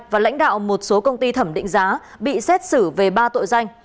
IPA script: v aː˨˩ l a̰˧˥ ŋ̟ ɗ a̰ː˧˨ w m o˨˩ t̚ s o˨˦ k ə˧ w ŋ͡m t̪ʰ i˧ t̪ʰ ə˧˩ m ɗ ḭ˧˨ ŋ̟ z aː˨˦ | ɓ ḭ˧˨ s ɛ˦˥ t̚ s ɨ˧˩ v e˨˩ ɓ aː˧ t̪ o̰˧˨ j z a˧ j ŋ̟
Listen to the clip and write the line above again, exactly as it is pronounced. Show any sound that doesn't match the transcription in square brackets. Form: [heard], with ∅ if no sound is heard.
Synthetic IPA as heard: v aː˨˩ l a̰˧˥ ŋ̟ ɗ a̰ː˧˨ w m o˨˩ t̚ s o˨˦ k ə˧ w ŋ͡m [t̪] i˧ t̪ʰ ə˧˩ m ɗ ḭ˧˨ ŋ̟ z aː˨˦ | ɓ ḭ˧˨ s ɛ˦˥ t̚ s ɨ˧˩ v e˨˩ ɓ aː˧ t̪ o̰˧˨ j z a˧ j ŋ̟